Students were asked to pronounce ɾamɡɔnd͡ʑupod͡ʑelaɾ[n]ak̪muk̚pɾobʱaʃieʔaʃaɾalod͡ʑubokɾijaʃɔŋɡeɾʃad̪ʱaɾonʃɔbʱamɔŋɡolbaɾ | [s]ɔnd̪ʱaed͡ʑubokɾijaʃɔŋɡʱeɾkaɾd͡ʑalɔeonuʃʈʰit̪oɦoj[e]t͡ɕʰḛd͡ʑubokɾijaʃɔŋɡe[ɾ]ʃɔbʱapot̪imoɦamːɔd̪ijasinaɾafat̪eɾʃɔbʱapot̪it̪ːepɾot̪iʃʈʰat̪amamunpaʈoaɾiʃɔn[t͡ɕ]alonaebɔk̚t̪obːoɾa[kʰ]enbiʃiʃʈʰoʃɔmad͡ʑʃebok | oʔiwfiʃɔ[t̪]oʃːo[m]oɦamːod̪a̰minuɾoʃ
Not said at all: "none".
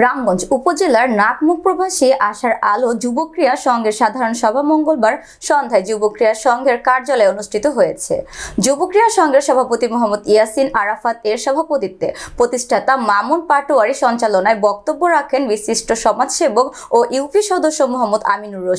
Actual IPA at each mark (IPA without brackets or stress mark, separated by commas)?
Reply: n, ʃ, e, ɾ, t͡ɕ, kʰ, d̪, m